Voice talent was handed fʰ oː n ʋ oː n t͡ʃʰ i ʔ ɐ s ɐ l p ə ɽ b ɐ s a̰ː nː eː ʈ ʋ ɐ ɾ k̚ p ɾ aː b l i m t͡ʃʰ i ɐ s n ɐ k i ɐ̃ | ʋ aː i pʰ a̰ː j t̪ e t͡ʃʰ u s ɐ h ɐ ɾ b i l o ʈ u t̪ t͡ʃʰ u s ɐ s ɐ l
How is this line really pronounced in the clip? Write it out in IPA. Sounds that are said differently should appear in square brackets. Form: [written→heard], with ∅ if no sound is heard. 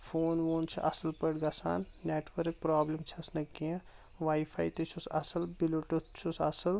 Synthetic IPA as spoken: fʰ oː n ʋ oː n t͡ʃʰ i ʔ ɐ s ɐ l p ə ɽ [b→ɡ] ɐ s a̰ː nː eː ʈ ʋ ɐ ɾ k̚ p ɾ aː b l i m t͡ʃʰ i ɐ s n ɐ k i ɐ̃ | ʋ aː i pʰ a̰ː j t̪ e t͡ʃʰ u s ɐ [h→s] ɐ [ɾ→l] b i l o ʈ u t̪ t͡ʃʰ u s ɐ s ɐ l